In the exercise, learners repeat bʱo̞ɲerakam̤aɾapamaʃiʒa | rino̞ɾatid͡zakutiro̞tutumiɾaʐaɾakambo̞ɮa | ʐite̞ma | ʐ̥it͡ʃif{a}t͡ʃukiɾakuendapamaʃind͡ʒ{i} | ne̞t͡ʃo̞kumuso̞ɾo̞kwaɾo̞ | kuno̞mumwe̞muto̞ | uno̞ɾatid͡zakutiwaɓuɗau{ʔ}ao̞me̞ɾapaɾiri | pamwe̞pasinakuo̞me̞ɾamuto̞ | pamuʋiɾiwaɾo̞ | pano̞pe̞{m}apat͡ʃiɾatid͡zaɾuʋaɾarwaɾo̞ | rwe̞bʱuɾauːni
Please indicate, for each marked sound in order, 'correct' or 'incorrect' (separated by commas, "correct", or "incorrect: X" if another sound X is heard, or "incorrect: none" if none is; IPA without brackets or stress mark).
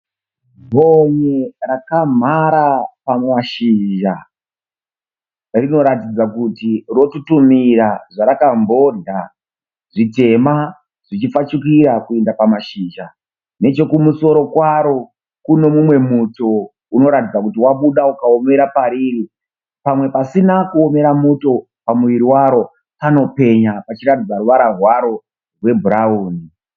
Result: correct, incorrect: a, incorrect: k, incorrect: ɲ